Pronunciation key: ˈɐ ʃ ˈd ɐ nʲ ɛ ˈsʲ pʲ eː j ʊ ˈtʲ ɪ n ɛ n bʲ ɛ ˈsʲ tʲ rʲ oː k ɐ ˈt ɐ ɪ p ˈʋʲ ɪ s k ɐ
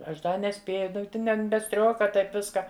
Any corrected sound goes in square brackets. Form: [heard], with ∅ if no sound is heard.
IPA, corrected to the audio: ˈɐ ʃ ˈd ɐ nʲ ɛ ˈsʲ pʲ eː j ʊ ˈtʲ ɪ n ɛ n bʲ ɛ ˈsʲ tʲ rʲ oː k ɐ ˈt ɐ ɪ p ˈʋʲ ɪ s k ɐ